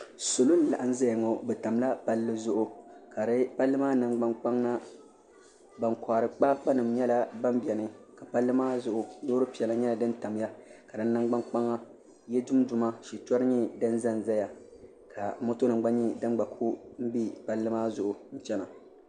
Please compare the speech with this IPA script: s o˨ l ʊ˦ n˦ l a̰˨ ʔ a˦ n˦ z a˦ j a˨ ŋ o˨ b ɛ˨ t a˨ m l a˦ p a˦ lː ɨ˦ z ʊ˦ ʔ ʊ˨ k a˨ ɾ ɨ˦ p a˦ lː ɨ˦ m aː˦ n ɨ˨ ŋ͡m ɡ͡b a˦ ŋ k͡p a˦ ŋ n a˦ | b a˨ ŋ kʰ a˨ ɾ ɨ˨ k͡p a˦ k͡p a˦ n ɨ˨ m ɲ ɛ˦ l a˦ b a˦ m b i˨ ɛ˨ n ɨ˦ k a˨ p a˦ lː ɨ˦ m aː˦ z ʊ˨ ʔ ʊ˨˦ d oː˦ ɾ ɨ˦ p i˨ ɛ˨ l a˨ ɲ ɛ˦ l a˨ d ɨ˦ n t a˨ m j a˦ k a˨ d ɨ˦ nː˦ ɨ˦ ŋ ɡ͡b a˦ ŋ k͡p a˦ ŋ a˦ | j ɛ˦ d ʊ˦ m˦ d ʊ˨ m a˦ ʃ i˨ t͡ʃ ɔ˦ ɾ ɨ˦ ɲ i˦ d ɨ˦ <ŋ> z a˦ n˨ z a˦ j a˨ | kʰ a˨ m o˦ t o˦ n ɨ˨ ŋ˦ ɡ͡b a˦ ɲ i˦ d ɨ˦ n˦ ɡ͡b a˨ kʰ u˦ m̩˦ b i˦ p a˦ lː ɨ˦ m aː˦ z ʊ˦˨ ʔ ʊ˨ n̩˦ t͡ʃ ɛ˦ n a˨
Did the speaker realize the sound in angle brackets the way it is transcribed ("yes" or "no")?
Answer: no